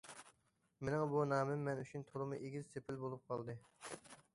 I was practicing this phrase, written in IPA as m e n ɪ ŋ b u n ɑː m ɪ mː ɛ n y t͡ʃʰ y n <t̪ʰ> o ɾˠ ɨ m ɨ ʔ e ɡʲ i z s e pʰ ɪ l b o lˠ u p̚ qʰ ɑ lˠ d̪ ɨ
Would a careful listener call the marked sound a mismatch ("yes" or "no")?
no